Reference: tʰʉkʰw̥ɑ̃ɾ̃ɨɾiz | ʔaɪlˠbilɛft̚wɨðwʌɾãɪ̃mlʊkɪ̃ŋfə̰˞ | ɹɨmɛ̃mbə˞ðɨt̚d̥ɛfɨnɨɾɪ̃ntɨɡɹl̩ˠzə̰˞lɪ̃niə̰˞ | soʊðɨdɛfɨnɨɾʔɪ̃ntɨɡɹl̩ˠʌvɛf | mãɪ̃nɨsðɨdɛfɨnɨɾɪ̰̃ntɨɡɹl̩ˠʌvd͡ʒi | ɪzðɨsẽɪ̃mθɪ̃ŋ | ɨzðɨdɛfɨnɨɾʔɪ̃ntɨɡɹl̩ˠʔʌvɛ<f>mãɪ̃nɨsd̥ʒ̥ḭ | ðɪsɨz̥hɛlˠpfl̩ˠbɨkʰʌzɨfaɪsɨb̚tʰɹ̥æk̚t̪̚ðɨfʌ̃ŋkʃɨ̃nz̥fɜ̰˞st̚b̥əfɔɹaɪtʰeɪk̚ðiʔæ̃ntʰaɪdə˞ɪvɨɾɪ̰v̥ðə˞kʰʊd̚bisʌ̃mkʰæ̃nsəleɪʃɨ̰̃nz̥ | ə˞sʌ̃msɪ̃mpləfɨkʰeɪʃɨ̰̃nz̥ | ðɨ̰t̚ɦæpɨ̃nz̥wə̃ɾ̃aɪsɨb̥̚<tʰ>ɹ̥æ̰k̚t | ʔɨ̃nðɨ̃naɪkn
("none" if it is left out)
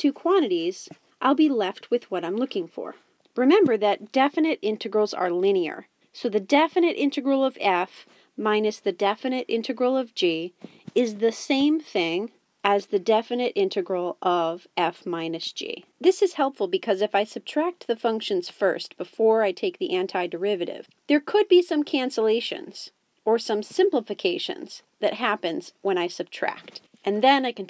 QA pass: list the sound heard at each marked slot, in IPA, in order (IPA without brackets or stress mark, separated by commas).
f, tʰ